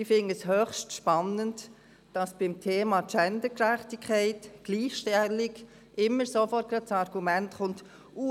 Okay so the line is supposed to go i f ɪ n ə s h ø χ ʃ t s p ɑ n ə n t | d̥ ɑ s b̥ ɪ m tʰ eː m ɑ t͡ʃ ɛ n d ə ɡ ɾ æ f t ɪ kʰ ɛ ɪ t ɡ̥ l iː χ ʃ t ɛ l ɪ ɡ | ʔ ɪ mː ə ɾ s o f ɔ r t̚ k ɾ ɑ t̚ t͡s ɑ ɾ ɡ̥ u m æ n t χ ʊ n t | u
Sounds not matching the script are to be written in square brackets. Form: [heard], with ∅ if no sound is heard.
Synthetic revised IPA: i f ɪ n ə s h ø χ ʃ t [ʃ] p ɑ n ə n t | d̥ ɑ s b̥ ɪ m tʰ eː m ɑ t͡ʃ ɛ n d ə [k] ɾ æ [χ] t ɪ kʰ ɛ ɪ t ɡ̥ l iː χ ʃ t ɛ l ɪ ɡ | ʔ ɪ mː ə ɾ s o f ɔ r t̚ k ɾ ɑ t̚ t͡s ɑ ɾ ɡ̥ u m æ n t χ ʊ n t | u